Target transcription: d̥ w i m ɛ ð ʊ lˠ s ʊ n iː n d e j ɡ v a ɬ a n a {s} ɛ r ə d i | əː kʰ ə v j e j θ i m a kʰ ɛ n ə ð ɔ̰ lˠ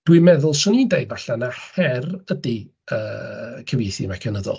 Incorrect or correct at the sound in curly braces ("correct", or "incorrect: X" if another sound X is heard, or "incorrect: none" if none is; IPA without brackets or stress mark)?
incorrect: h